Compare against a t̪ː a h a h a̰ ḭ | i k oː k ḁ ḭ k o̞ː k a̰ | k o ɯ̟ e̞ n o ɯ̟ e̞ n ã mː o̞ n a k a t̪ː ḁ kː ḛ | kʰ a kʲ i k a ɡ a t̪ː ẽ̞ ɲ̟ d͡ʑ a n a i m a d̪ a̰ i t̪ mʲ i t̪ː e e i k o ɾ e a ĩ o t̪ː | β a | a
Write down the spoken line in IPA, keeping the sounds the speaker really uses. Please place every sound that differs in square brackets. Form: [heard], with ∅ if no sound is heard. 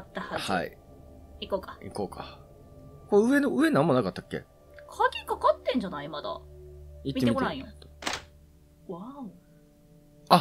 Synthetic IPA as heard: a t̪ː a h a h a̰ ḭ | i k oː k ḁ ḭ k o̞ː k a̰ | k o ɯ̟ e̞ n o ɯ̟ e̞ n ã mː o̞ n a k a t̪ː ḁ kː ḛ | kʰ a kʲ i k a [k] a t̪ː ẽ̞ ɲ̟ d͡ʑ a n a i m a d̪ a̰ i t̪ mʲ i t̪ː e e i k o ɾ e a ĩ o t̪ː | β a | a